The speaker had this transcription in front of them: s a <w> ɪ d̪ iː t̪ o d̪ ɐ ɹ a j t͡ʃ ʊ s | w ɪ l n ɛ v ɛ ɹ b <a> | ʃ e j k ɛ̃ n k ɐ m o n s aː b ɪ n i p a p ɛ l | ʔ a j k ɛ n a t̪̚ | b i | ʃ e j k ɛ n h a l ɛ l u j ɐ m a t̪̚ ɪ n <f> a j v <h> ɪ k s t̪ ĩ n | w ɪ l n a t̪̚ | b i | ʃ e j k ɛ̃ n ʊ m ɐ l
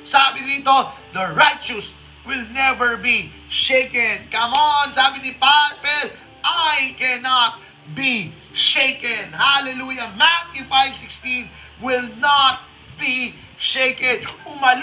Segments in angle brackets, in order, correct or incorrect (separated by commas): incorrect, incorrect, correct, incorrect